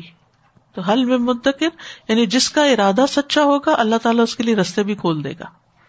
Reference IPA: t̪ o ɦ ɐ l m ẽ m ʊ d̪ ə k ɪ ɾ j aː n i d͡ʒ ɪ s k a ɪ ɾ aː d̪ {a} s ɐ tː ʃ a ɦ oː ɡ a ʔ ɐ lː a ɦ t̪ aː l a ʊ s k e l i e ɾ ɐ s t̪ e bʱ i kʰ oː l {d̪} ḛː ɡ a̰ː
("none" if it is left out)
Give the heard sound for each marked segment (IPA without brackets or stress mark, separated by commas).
a, d̪